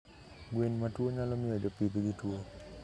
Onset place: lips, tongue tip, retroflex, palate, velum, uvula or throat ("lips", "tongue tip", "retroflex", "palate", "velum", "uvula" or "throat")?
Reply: velum